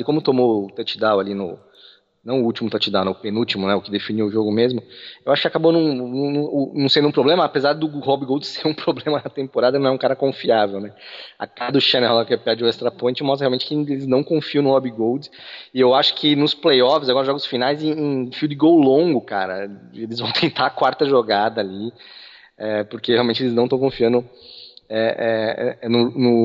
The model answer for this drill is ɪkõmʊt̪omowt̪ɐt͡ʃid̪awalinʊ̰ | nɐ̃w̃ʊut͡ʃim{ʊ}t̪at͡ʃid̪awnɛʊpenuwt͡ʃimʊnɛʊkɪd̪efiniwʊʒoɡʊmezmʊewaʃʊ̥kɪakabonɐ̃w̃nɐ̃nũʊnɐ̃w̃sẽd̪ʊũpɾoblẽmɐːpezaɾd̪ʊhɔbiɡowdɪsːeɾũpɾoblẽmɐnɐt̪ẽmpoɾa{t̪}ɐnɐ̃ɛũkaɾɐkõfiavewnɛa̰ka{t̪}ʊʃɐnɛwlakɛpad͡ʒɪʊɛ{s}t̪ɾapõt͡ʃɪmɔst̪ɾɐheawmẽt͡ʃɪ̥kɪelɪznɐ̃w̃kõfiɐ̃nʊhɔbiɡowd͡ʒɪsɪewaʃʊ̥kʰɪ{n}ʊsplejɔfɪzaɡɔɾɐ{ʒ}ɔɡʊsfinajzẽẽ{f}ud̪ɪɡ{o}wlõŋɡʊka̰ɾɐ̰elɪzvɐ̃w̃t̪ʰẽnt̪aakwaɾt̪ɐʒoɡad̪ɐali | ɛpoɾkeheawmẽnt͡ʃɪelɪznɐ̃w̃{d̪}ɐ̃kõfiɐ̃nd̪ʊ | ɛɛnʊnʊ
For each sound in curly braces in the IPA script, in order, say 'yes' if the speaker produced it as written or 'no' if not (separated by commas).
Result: yes, no, no, yes, yes, yes, yes, yes, no